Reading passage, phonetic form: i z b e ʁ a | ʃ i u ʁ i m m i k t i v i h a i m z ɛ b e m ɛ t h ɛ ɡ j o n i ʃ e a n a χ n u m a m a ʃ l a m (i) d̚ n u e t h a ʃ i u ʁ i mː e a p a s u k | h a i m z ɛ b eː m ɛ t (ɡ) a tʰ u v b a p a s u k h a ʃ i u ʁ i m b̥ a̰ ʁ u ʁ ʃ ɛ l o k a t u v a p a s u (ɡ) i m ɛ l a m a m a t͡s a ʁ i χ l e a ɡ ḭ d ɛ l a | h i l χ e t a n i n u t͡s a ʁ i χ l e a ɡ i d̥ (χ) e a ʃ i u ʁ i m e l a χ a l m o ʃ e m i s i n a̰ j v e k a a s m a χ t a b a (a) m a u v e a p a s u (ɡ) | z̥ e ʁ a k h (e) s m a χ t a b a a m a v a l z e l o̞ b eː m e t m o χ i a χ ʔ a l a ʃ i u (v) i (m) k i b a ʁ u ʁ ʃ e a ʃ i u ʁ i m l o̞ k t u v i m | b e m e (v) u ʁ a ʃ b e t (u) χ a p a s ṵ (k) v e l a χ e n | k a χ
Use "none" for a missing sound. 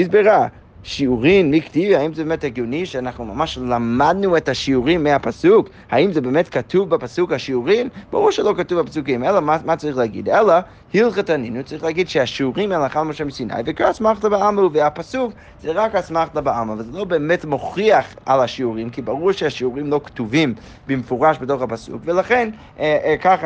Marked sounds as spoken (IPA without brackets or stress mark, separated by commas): a, k, k, ʃ, a, k, a, ʁ, m, f, o, k